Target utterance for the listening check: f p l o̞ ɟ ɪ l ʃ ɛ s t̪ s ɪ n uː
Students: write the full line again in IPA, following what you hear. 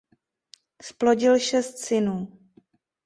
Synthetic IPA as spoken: s p l o̞ ɟ ɪ l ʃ ɛ s t̪ s ɪ n uː